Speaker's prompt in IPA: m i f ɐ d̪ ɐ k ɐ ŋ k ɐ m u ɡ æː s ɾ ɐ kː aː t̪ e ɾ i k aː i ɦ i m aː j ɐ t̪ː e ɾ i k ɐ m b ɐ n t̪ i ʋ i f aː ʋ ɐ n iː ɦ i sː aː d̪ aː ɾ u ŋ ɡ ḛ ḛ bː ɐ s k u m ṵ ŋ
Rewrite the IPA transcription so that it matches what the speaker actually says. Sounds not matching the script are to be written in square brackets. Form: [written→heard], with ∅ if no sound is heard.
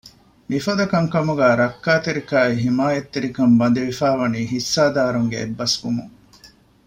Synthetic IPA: m i f ɐ d̪ ɐ k ɐ ŋ k ɐ m u ɡ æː [s→∅] ɾ ɐ kː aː t̪ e ɾ i k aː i ɦ i m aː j ɐ t̪ː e ɾ i k ɐ m b ɐ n [t̪→d̪] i ʋ i f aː ʋ ɐ n iː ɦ i sː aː d̪ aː ɾ u ŋ ɡ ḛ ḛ bː ɐ s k u m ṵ ŋ